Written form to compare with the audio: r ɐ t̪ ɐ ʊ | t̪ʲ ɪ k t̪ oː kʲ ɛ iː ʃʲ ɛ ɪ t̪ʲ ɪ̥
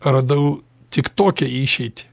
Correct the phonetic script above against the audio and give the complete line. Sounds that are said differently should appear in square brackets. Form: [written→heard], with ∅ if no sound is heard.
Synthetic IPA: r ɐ [t̪→d̪] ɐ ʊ | t̪ʲ ɪ k t̪ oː kʲ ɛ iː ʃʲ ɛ ɪ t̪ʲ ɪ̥